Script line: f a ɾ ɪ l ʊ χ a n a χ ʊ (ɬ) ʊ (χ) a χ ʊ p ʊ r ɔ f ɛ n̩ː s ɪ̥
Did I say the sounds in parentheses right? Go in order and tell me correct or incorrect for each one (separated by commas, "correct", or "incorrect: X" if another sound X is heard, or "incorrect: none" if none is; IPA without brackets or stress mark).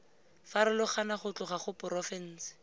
incorrect: t͡ɬ, correct